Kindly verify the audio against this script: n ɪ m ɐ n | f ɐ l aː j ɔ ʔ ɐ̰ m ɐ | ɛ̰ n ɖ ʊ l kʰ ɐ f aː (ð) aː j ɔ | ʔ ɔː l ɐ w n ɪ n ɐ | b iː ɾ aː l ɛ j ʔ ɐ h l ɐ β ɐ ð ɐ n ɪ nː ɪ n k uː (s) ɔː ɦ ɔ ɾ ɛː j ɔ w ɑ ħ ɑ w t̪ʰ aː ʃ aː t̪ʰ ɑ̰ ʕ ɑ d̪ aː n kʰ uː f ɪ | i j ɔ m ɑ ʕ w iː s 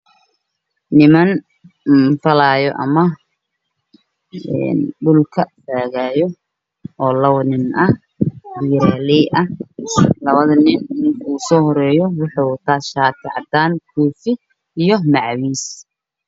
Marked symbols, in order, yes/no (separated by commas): no, yes